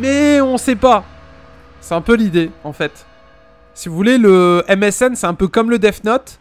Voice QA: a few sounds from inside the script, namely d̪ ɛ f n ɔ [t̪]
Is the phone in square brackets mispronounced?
no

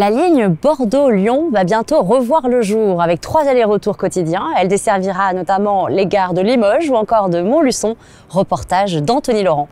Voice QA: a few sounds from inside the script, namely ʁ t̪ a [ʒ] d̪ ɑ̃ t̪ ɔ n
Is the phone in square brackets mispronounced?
no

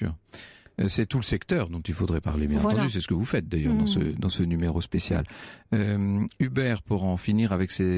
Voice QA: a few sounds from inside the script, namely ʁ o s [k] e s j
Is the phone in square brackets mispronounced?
yes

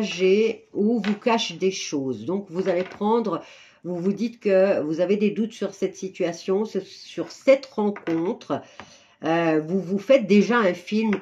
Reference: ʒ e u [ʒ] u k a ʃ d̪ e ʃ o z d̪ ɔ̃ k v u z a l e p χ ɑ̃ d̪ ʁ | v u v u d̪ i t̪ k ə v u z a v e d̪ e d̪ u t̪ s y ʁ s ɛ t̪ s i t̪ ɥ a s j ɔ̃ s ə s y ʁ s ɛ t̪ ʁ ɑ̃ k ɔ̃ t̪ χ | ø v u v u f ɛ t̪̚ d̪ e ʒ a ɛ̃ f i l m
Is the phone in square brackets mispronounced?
yes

